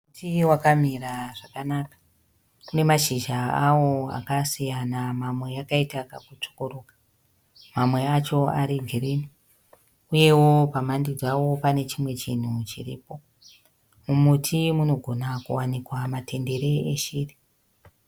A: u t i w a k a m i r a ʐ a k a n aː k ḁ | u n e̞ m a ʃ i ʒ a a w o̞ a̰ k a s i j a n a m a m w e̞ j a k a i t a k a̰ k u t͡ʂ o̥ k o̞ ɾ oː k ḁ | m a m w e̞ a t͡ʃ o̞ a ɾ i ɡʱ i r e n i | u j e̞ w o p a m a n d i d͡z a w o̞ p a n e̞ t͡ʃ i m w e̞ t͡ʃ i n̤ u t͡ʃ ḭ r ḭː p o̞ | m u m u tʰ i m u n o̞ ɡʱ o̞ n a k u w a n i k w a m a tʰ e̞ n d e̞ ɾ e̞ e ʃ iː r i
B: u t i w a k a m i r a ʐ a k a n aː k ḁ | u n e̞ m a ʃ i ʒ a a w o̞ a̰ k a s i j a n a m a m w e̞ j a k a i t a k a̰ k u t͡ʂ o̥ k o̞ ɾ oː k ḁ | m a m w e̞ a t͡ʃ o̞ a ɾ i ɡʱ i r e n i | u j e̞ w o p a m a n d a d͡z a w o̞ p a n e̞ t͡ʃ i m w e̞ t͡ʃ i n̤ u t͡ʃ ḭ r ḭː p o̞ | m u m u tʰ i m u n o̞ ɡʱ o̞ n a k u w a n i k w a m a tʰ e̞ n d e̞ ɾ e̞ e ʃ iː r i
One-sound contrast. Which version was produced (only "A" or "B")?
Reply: A